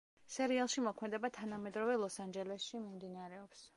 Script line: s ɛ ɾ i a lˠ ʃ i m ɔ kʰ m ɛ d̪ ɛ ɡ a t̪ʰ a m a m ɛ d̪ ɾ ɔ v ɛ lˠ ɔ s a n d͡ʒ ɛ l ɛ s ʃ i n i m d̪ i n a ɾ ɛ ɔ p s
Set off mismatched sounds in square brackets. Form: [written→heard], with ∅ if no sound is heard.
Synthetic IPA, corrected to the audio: s ɛ ɾ i a lˠ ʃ i m ɔ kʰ m ɛ d̪ ɛ [ɡ→b] a t̪ʰ a [m→n] a m ɛ d̪ ɾ ɔ v ɛ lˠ ɔ s a n d͡ʒ ɛ l ɛ s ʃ i [n→m] i m d̪ i n a ɾ ɛ ɔ p s